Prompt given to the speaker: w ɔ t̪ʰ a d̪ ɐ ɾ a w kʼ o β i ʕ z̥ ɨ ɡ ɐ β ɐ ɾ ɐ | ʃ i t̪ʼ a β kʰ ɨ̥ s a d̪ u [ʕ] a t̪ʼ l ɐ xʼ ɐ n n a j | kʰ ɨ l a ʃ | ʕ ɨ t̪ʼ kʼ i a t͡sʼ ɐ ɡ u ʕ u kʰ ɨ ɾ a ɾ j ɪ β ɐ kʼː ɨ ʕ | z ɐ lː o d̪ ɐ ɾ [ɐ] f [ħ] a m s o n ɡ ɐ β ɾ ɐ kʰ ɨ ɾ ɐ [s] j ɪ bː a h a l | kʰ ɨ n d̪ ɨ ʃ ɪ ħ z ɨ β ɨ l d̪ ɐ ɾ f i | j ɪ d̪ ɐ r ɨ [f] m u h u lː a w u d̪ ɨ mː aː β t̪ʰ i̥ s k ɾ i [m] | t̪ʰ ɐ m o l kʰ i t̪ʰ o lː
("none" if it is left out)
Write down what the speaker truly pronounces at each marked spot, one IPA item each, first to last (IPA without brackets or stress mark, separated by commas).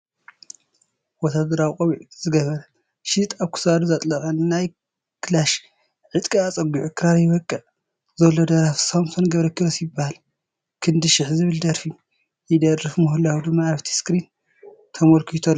z, a, s, s, f, n